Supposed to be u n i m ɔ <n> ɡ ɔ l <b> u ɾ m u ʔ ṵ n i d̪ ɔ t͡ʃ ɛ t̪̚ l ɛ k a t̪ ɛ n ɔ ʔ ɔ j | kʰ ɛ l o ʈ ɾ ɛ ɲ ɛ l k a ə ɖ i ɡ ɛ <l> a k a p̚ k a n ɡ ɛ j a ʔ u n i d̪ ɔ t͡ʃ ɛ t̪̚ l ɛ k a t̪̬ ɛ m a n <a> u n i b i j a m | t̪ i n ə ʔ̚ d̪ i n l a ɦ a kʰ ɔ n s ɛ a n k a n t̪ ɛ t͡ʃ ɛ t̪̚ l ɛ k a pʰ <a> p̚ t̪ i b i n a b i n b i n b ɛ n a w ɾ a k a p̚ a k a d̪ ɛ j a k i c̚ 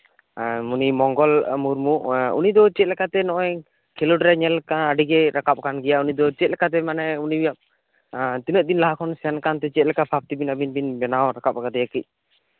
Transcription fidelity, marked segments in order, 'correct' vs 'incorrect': incorrect: ŋ, incorrect: m, incorrect: ɾ, incorrect: ɛ, correct

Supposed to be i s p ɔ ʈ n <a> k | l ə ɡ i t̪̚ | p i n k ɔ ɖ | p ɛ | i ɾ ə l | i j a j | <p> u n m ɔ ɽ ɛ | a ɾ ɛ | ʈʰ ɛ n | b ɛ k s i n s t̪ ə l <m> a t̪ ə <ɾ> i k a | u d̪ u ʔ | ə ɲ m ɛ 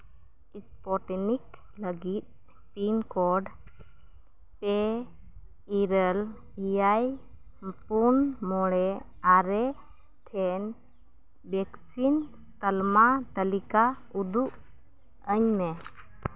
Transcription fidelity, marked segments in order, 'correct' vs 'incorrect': incorrect: i, correct, correct, incorrect: l

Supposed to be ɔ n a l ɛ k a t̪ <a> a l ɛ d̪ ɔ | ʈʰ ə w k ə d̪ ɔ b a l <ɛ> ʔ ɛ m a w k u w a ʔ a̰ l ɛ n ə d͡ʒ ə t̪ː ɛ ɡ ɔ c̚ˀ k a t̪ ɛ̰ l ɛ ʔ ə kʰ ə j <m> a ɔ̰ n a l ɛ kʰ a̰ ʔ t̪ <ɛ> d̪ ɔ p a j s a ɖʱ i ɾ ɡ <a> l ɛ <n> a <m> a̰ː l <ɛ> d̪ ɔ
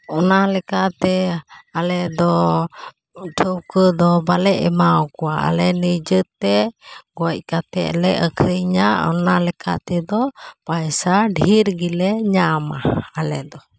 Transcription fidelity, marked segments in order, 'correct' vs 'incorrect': incorrect: ɛ, correct, incorrect: ɲ, correct, incorrect: i, incorrect: ɲ, correct, correct

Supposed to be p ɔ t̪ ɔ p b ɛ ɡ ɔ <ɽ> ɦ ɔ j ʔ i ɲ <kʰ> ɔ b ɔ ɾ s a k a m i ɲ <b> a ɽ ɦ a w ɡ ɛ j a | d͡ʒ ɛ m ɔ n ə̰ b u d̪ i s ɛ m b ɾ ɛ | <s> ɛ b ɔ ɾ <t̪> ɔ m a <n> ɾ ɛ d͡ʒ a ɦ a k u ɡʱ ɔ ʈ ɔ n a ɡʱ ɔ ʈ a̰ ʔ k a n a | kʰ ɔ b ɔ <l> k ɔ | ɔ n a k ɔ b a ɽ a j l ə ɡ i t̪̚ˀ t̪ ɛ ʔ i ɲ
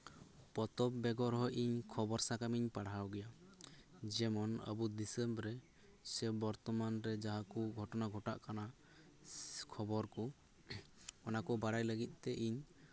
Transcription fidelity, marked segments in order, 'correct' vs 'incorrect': incorrect: ɾ, correct, incorrect: p, correct, correct, correct, incorrect: ɾ

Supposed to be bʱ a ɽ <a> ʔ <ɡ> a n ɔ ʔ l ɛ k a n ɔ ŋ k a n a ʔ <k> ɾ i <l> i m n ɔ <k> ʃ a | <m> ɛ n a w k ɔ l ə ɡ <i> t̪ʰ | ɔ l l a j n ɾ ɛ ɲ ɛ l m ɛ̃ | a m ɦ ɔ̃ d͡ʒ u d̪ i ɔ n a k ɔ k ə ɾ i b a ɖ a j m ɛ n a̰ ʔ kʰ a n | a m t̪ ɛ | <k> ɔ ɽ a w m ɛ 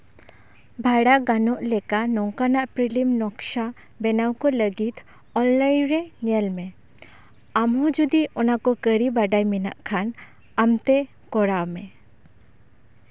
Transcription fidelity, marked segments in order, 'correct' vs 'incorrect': correct, correct, incorrect: p, correct, correct, incorrect: b, correct, correct

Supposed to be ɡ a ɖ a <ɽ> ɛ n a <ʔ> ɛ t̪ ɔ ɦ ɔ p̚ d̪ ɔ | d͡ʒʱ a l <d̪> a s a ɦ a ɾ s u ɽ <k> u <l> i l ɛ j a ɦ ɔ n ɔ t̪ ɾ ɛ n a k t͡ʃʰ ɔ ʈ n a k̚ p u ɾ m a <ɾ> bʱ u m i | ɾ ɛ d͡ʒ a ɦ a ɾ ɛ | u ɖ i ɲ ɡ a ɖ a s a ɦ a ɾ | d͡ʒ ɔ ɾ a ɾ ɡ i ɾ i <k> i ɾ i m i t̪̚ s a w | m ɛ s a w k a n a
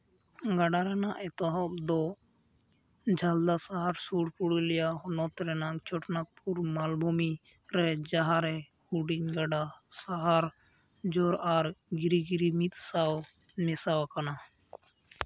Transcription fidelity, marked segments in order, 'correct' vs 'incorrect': incorrect: ɾ, correct, correct, incorrect: p, incorrect: ɽ, incorrect: l, incorrect: ɡ

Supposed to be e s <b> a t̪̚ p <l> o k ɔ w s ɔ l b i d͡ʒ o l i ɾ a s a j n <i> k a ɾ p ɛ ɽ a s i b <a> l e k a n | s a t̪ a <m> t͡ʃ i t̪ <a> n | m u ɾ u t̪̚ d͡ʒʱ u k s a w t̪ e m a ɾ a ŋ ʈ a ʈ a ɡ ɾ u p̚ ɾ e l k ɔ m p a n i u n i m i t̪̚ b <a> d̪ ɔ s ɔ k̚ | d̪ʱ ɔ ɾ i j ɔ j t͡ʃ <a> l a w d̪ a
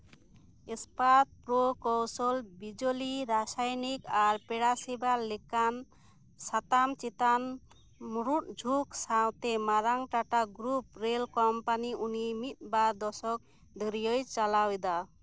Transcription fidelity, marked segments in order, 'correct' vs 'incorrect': incorrect: p, incorrect: ɾ, correct, correct, correct, correct, correct, correct

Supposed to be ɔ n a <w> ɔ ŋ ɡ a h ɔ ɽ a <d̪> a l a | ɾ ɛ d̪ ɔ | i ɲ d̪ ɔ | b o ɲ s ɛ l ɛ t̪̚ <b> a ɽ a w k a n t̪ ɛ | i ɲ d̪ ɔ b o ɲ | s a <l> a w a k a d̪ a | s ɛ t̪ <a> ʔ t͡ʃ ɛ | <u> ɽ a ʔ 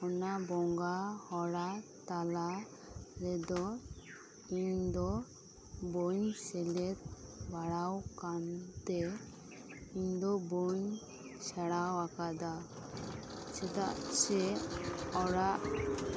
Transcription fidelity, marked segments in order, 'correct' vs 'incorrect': incorrect: b, incorrect: t̪, correct, incorrect: ɽ, correct, incorrect: ɔ

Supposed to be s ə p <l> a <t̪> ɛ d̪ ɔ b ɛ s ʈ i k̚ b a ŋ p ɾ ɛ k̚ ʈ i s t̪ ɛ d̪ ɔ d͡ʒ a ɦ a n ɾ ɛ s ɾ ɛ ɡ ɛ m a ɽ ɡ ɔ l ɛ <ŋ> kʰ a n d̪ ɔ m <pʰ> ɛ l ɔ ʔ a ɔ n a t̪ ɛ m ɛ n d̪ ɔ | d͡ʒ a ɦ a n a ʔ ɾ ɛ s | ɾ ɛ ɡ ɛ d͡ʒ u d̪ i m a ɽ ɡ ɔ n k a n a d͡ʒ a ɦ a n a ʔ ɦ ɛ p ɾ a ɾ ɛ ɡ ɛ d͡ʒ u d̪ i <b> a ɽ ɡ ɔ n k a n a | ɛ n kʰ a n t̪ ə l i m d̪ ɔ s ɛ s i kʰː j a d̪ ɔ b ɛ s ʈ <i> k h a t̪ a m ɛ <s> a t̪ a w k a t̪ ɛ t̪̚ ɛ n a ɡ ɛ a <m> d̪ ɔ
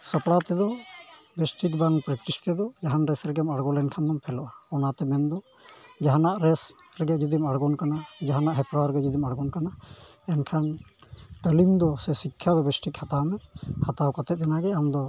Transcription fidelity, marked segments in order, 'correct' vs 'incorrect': incorrect: ɽ, correct, incorrect: n, correct, incorrect: m, correct, incorrect: h, correct

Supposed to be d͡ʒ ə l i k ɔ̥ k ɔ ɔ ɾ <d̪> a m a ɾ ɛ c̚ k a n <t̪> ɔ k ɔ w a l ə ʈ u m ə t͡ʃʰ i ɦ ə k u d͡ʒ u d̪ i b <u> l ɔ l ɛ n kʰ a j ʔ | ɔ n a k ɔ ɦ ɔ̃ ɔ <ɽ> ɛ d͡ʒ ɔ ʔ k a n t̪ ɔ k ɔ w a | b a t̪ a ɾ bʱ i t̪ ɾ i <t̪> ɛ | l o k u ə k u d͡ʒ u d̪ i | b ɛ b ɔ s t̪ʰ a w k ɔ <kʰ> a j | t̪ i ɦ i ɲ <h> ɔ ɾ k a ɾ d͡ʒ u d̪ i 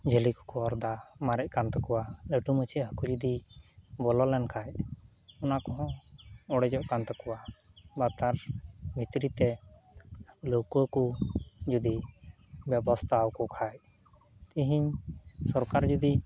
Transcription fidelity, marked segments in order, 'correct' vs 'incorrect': correct, correct, incorrect: ɔ, correct, correct, correct, incorrect: s

